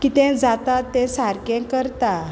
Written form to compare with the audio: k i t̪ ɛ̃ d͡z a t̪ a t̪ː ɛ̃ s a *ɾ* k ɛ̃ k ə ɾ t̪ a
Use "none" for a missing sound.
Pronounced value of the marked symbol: ɾ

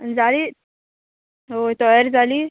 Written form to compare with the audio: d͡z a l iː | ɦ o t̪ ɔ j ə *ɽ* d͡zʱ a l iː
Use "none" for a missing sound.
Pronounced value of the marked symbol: ɾ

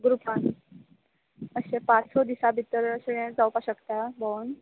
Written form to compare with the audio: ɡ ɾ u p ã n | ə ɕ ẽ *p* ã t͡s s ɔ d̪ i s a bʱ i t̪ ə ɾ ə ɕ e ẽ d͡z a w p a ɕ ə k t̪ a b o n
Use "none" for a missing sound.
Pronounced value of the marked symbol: p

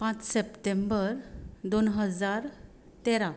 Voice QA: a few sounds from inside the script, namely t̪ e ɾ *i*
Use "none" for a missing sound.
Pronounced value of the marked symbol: a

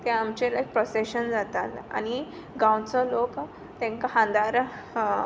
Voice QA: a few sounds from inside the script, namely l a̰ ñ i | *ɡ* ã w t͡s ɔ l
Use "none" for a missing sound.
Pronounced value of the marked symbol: ɡ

